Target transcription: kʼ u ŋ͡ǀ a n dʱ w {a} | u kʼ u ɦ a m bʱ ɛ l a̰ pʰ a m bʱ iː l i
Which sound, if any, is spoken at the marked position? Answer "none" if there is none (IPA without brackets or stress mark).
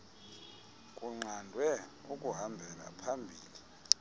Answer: ɛ